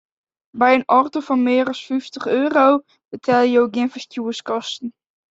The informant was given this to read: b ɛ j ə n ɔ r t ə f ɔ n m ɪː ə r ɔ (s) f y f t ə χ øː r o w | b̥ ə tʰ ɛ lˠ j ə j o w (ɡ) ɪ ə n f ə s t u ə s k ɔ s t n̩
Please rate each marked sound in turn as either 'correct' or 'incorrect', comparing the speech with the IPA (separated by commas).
correct, correct